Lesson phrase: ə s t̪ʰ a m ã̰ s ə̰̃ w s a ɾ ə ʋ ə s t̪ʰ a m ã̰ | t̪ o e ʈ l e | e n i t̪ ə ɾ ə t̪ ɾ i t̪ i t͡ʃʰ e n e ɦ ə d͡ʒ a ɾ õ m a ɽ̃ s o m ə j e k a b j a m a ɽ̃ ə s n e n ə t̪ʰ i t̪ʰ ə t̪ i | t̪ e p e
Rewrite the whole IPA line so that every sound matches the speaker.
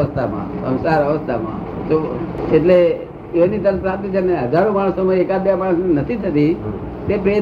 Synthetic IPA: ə s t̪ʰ a m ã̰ s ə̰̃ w s a ɾ ə ʋ ə s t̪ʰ a m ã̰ | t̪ o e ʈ l e | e n i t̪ ə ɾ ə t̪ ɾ a t̪ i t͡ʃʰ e n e ɦ ə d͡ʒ a ɾ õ m a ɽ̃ s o m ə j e k a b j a m a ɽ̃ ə s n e n ə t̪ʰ i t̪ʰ ə t̪ i | t̪ e p e